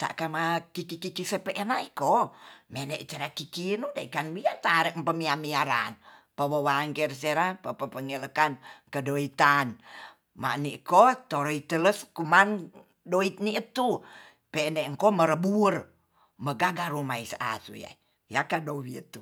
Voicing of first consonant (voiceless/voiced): voiceless